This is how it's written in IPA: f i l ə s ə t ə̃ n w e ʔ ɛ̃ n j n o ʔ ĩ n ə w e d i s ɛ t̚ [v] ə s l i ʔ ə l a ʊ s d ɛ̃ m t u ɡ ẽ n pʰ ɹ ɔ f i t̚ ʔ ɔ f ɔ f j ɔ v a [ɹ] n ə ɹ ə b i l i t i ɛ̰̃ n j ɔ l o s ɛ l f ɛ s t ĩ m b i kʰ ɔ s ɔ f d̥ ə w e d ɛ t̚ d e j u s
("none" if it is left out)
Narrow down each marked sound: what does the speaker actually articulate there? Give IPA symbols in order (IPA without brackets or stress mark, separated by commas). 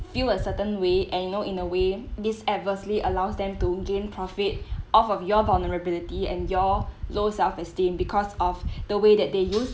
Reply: v, l